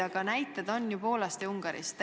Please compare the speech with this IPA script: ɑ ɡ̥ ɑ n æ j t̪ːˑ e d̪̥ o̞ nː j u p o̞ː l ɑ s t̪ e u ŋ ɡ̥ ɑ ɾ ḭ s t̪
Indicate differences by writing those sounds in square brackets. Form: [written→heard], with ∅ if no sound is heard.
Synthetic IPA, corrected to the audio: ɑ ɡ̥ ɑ n æ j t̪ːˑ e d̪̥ o̞ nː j u p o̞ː l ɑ s t̪ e u ŋ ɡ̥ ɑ ɾ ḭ s t̪

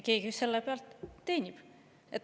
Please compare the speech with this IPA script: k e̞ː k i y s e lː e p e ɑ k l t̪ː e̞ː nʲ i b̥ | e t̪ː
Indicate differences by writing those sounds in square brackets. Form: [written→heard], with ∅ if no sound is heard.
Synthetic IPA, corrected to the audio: k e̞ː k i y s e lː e p e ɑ [k→∅] l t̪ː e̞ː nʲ i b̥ | e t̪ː

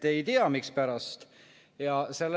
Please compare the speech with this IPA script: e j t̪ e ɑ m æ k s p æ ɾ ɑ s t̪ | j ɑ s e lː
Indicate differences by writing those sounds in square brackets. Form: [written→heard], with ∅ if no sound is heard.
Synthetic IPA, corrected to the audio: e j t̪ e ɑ m [æ→i] k s p æ ɾ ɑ s t̪ | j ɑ s e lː

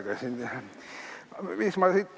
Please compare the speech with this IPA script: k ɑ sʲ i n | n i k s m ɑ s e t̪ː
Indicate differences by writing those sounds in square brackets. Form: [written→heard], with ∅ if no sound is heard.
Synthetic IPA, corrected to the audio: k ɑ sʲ i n | [n→m] i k s m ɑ s [e→i] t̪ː

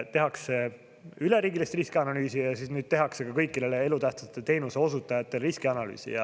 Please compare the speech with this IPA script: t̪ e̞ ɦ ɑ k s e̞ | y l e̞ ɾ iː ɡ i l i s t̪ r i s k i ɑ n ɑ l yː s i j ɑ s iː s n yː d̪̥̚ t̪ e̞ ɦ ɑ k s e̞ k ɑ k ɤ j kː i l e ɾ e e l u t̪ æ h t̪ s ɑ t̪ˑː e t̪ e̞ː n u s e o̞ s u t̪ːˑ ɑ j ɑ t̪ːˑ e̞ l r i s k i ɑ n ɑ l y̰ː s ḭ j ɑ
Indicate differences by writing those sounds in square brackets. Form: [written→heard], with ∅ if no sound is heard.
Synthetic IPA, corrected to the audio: t̪ e̞ ɦ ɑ k s e̞ | y l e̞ ɾ iː ɡ i l i s t̪ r i s k i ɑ n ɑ l yː s i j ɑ s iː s n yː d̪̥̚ t̪ e̞ ɦ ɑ k s e̞ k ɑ k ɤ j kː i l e [ɾ→l] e e l u t̪ æ h t̪ s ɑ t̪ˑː e t̪ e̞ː n u s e o̞ s u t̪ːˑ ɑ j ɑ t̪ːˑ e̞ l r i s k i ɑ n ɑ l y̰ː s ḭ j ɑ

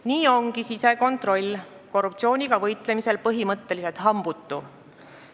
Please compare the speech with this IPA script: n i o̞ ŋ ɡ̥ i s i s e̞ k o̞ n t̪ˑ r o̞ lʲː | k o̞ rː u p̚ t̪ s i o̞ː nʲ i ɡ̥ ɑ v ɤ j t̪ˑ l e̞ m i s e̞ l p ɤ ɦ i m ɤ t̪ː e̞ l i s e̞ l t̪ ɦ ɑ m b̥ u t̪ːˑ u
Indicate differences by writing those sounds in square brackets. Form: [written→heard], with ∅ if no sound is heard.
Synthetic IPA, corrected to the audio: n [i→iː] o̞ ŋ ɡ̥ i s i s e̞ k o̞ n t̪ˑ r o̞ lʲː | k o̞ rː u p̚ t̪ s i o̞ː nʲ i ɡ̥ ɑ v ɤ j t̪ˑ l e̞ m i s e̞ l p ɤ ɦ i m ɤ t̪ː e̞ l i s e̞ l t̪ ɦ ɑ m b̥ u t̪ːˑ u

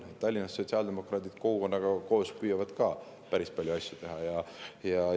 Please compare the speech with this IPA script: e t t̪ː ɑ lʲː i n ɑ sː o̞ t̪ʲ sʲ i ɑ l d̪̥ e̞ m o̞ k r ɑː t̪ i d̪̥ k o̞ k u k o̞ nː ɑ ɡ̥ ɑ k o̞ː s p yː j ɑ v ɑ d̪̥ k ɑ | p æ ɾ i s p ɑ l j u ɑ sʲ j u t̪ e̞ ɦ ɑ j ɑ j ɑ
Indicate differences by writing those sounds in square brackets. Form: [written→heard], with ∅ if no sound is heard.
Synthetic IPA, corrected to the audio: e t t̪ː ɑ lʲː i n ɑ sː o̞ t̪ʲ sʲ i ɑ l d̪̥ e̞ m o̞ k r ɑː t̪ i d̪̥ k o̞ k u k o̞ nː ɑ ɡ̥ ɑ k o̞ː s p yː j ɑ v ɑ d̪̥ k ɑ | p æ ɾ i s p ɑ l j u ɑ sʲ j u t̪ e̞ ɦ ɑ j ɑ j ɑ

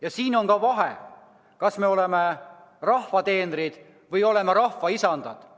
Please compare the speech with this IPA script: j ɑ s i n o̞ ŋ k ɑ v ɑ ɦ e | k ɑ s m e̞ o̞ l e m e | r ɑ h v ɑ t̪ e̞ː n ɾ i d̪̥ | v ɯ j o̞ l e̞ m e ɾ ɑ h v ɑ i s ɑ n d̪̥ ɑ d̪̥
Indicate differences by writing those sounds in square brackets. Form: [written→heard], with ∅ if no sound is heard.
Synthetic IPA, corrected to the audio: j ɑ s [i→iː] n o̞ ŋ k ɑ v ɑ ɦ e | k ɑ s m e̞ o̞ l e m e | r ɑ h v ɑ t̪ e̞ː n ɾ i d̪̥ | v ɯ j o̞ l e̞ m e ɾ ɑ h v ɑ i s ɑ n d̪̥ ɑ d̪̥

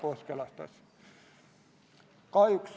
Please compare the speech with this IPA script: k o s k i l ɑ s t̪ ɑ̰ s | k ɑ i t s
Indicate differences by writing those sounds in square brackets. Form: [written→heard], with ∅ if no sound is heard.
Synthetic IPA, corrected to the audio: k o s k [i→e] l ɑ s t̪ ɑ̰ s | k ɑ i [t→k] s

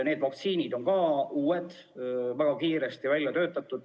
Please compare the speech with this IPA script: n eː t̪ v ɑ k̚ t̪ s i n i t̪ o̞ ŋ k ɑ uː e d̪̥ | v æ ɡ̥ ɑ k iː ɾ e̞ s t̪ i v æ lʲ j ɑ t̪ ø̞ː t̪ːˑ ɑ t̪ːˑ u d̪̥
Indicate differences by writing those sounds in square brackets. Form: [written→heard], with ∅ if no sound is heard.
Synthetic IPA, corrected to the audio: n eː [t̪→d̪] v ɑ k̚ t̪ s [i→iː] n i [t̪→d̪] o̞ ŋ k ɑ uː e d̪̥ | v æ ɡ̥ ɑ k iː ɾ e̞ s t̪ i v æ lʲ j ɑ t̪ ø̞ː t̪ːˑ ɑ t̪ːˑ u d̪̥

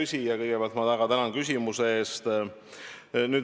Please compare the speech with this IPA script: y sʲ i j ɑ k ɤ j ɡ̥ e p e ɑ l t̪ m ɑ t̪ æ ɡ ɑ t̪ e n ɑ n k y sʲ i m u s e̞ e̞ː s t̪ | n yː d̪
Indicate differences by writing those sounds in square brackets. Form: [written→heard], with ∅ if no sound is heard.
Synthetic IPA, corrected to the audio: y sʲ i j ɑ k ɤ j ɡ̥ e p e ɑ l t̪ m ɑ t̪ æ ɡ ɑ t̪ [e→æ] n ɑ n k y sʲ i m u s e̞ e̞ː s t̪ | n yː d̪

